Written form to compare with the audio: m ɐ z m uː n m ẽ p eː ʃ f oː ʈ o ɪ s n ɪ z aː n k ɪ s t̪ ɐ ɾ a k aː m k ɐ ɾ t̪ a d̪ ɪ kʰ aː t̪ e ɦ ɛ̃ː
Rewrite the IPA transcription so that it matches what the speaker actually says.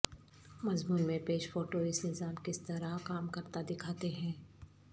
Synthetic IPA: m ɐ z m uː n m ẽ p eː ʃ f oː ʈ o ɪ s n ɪ z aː m k ɪ s t̪ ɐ ɾ a k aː m k ɐ ɾ t̪ a d̪ ɪ kʰ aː t̪ e ɦ ɛ̃ː